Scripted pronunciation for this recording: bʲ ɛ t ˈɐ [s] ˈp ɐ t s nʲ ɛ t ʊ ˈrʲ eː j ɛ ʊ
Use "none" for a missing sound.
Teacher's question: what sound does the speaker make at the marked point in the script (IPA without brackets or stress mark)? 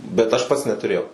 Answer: ʃ